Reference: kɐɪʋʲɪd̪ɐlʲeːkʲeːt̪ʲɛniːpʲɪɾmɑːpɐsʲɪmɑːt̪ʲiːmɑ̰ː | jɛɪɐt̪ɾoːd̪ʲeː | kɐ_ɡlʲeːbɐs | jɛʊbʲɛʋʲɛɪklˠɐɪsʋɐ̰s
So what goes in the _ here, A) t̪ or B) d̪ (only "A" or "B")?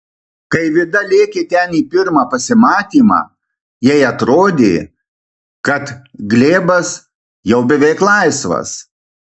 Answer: A